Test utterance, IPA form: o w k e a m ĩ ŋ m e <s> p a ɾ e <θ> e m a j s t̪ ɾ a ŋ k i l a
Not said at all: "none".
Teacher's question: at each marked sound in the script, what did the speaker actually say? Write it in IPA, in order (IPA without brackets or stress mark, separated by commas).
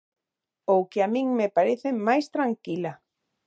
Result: none, θ